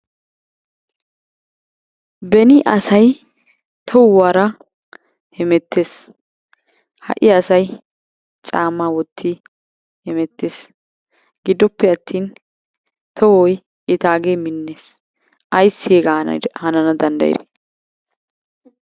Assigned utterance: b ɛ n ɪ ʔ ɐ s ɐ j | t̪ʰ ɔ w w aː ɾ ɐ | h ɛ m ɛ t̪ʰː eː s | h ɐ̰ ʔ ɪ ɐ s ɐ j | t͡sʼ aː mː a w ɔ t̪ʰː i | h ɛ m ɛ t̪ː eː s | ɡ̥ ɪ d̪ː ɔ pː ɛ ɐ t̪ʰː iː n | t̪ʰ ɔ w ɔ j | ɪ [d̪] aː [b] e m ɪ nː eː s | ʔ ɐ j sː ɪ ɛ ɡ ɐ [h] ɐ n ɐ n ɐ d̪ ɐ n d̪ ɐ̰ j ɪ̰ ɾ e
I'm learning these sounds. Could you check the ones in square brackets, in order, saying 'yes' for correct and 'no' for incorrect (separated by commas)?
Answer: no, no, yes